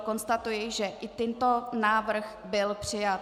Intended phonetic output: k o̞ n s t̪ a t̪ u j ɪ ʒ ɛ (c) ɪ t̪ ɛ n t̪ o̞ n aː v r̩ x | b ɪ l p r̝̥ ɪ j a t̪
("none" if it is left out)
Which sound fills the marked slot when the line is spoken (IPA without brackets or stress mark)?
ʔ